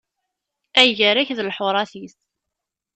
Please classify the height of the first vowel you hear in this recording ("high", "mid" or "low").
low